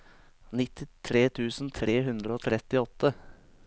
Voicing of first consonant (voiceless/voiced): voiced